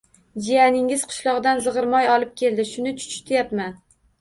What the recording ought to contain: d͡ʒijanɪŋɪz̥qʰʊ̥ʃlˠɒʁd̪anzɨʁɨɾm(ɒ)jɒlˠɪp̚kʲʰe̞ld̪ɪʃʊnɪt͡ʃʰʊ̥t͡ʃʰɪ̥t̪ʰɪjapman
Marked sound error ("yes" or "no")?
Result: no